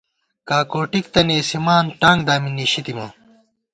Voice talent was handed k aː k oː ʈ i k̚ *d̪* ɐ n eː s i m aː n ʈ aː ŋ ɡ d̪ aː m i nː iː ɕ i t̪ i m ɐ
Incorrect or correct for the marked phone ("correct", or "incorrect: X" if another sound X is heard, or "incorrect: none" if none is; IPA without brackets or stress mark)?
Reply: incorrect: t̪